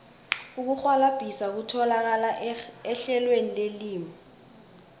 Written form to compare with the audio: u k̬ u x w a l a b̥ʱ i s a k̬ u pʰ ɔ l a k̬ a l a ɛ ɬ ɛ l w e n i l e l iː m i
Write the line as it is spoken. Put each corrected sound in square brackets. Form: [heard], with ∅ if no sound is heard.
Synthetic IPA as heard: u k̬ u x w a l a b̥ʱ i s a k̬ u [tʰ] ɔ l a k̬ a l a ɛ ɬ ɛ l w e n i l e l iː m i